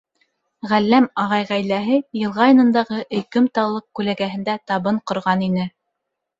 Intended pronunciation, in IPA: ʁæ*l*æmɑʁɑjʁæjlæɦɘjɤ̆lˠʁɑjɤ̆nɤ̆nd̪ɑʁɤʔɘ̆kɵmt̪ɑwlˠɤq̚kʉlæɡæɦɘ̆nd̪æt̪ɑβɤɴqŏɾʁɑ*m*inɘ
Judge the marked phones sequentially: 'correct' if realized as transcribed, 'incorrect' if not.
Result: incorrect, incorrect

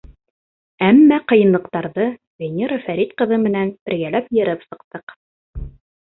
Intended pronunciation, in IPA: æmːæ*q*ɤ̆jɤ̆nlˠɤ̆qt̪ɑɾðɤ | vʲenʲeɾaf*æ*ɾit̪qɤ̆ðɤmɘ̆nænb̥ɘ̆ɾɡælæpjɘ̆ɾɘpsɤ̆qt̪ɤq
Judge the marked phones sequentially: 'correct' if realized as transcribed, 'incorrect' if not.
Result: correct, correct

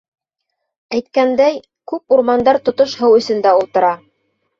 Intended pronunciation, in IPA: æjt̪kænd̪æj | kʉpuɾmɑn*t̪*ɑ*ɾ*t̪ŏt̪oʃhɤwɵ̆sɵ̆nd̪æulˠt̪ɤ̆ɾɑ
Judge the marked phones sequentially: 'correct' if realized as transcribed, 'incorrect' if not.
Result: incorrect, correct

